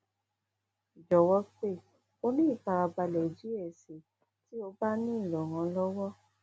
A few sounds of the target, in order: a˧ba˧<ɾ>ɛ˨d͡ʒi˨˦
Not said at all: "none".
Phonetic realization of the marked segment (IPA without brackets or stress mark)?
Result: l